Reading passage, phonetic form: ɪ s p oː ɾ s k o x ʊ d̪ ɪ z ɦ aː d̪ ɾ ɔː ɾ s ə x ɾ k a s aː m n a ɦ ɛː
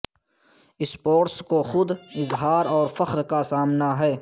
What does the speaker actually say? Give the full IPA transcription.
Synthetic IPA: ɪ s p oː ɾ s k o x ʊ d̪ ɪ z ɦ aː ɾ ɔː ɾ f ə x ɾ k a s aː m n a ɦ ɛː